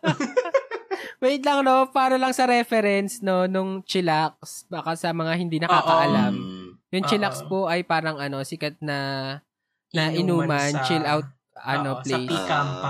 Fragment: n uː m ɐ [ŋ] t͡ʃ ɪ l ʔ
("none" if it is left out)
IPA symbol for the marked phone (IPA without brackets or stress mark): n